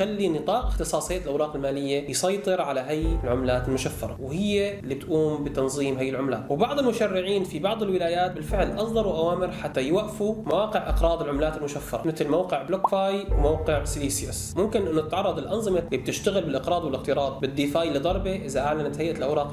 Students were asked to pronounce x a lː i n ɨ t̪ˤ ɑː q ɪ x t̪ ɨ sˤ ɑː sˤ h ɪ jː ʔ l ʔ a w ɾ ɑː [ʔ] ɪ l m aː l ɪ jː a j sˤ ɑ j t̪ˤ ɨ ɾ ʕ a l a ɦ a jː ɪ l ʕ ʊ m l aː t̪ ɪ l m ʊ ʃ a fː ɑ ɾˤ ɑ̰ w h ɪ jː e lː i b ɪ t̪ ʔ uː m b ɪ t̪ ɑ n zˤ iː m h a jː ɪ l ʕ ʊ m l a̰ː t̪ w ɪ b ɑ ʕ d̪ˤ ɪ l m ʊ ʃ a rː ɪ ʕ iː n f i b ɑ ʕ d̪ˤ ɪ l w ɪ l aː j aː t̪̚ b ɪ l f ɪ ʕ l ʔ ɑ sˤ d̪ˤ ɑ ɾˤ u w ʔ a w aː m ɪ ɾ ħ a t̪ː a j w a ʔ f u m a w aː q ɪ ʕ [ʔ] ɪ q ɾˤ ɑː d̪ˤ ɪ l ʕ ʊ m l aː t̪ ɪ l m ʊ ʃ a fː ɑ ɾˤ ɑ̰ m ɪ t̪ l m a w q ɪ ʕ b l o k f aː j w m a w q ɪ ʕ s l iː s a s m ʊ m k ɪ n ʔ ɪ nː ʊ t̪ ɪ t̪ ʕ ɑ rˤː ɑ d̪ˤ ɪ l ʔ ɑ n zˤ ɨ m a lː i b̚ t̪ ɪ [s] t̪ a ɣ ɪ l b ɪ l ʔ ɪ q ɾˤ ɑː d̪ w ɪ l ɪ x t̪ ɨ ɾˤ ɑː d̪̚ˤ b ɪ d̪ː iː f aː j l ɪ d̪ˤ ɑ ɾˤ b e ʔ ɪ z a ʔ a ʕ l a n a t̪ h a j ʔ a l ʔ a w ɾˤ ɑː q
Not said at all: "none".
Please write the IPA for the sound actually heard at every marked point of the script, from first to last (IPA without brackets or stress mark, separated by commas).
q, ʔ, ʃ